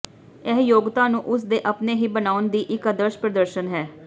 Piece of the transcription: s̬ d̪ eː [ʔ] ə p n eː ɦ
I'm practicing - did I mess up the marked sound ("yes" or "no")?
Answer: no